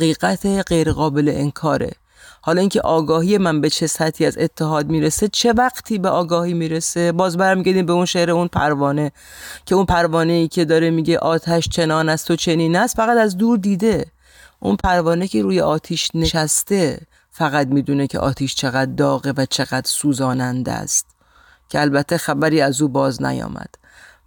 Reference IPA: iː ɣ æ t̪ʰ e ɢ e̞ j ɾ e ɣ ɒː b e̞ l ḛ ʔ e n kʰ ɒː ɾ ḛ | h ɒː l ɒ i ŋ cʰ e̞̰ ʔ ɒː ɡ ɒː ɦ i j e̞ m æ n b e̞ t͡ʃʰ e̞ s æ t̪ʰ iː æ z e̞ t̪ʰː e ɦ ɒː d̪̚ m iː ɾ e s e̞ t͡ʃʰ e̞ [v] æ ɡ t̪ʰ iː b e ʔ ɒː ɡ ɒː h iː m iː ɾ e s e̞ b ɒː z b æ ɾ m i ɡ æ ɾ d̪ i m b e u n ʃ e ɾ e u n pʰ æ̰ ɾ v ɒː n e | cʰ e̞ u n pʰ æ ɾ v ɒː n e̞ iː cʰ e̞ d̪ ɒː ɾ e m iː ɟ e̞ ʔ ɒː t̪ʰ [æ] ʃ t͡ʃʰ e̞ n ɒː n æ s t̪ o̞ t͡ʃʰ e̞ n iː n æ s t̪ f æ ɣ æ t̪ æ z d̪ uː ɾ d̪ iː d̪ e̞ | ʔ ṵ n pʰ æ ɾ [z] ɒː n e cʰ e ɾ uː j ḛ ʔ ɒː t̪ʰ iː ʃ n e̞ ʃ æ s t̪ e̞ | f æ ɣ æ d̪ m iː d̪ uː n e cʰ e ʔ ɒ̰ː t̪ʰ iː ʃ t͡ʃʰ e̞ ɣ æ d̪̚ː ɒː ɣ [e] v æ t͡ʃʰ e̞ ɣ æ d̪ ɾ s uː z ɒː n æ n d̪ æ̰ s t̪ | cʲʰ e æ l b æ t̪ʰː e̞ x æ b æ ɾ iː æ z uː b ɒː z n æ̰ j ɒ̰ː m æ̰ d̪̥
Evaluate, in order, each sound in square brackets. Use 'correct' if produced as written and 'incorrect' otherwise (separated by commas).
correct, correct, incorrect, correct